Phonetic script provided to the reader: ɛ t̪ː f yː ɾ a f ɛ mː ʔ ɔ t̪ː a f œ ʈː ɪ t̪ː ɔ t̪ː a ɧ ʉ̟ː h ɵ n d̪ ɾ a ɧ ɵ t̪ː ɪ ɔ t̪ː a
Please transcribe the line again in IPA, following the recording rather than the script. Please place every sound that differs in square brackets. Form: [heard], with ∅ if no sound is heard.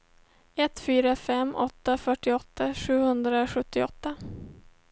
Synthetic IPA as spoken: ɛ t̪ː f yː ɾ a f ɛ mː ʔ ɔ t̪ː a f œ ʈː ɪ [∅] ɔ t̪ː a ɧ ʉ̟ː h ɵ n d̪ ɾ a ɧ ɵ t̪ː ɪ ɔ t̪ː a